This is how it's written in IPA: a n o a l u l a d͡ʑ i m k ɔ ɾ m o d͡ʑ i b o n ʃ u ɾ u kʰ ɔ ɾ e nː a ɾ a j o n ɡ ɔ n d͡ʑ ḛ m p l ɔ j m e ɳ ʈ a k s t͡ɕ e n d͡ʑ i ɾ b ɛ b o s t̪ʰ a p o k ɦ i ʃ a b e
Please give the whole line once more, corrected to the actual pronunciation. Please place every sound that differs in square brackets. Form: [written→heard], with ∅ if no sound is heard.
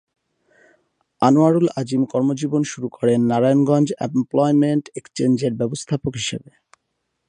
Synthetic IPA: a n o a [l→ɾ] u l a d͡ʑ i m k ɔ ɾ m o d͡ʑ i b o n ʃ u ɾ u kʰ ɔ ɾ e nː a ɾ a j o n ɡ ɔ n d͡ʑ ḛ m p l ɔ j m e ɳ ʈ [a→e] k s t͡ɕ e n d͡ʑ [i→e] ɾ b ɛ b o s t̪ʰ a p o k ɦ i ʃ [a→e] b e